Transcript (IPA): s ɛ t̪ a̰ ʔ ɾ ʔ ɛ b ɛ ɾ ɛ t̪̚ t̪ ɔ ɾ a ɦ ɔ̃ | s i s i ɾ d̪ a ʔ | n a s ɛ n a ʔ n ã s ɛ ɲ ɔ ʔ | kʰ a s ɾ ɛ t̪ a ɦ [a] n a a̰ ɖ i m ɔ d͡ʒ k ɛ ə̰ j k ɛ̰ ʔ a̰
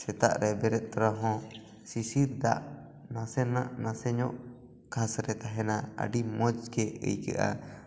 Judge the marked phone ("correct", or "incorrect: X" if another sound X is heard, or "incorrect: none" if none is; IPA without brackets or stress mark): incorrect: ɛ